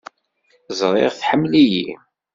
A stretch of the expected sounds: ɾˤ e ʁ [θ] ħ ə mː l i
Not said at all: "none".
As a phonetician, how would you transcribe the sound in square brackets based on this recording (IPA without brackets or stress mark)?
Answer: θ